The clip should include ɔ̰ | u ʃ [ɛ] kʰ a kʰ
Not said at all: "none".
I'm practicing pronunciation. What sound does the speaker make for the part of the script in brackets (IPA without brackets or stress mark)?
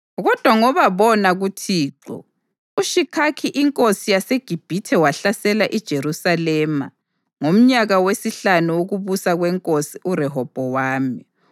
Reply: i